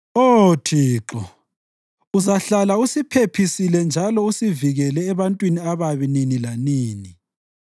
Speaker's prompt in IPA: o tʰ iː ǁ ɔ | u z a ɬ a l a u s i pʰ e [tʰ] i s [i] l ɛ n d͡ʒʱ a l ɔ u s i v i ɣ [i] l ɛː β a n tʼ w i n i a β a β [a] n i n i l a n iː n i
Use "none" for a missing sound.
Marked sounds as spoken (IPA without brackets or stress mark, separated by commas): pʰ, i, ɛ, i